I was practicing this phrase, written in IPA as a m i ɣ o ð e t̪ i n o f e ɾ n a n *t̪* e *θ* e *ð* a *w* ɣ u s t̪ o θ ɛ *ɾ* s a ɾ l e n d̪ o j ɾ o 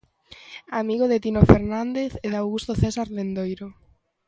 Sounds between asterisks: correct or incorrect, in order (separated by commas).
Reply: incorrect, correct, correct, correct, incorrect